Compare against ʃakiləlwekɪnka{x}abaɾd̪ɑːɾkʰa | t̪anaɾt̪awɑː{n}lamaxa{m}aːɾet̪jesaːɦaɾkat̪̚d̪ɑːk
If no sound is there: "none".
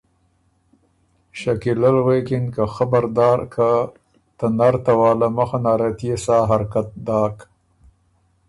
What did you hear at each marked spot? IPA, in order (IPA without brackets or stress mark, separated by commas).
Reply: x, none, n